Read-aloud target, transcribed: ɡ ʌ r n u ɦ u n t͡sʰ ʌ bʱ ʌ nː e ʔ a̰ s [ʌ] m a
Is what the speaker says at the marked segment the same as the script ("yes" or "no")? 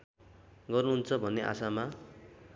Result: no